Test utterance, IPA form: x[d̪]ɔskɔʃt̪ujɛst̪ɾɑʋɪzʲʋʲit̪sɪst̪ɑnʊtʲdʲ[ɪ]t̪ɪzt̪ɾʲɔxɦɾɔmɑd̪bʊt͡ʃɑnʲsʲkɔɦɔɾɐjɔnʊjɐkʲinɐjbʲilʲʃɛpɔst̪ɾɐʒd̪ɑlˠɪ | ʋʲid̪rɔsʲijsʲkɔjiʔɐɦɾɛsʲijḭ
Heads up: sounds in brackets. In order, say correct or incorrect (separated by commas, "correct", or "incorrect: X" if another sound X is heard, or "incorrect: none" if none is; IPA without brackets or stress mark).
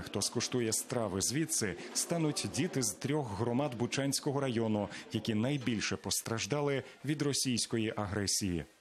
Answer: incorrect: t̪, incorrect: i